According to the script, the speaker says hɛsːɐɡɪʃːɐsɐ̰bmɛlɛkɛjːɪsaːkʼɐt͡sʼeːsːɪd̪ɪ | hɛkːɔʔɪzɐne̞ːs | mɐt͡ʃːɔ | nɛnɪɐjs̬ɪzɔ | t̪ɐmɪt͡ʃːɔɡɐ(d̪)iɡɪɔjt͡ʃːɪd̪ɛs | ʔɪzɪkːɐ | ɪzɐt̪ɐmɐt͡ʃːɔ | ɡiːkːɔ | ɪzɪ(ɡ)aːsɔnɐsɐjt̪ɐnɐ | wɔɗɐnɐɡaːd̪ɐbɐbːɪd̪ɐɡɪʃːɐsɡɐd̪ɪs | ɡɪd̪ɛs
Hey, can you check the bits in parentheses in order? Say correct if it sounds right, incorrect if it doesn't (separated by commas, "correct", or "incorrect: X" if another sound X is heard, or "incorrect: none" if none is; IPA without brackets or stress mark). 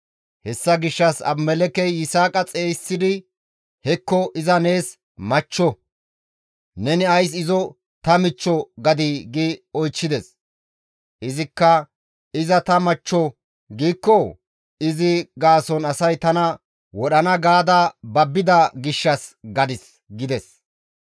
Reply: correct, correct